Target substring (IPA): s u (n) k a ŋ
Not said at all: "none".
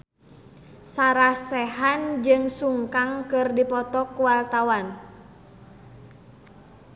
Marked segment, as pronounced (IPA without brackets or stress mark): ŋ